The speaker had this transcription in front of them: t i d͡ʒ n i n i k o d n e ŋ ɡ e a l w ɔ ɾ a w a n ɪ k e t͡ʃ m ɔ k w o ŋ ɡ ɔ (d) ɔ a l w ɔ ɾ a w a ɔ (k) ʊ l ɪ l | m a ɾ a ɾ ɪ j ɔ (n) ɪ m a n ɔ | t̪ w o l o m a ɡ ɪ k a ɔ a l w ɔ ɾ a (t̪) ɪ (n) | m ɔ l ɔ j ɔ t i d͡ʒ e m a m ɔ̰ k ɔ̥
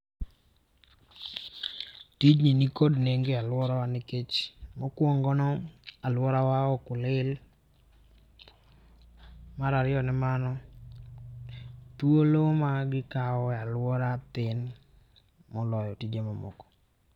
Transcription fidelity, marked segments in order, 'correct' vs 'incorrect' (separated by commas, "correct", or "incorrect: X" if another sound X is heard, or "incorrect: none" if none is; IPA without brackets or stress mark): incorrect: n, correct, correct, correct, correct